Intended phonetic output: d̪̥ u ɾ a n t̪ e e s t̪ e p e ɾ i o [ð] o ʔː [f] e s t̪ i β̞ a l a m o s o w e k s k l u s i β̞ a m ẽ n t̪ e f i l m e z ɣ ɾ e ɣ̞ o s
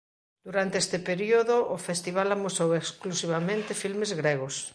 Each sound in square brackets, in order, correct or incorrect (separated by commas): correct, correct